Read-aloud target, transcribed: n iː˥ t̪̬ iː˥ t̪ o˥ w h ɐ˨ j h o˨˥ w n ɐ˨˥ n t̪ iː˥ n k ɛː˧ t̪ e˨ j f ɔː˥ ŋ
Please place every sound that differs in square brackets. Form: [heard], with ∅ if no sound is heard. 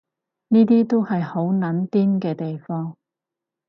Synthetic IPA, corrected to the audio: n iː˥ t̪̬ iː˥ t̪ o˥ w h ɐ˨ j h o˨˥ w n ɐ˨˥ n t̪ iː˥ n k ɛː˧ t̪ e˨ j f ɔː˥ ŋ